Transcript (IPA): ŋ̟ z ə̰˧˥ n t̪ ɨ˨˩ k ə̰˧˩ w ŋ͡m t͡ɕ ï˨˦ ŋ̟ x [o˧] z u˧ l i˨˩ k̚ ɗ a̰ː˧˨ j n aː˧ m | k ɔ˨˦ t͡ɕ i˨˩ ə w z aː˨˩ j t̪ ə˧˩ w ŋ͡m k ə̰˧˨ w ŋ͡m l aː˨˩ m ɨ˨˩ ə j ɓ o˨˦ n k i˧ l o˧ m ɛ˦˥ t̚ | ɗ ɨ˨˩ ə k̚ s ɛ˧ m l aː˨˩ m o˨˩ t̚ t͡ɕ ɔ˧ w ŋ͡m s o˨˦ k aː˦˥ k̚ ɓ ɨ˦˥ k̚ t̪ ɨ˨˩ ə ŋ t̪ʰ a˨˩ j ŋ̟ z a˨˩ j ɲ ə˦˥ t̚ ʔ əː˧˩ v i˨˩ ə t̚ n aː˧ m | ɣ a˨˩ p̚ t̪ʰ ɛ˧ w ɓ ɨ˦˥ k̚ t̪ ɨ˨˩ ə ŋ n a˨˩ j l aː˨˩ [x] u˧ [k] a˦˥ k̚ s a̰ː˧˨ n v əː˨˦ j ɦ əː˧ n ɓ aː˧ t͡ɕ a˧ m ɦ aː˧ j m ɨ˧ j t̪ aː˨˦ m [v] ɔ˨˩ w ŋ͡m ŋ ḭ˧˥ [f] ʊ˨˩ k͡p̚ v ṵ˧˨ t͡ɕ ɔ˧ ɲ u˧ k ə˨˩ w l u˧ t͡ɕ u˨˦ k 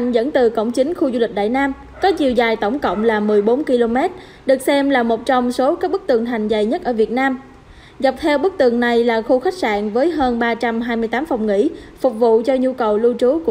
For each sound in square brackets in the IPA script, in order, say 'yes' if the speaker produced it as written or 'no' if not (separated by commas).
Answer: no, yes, no, no, yes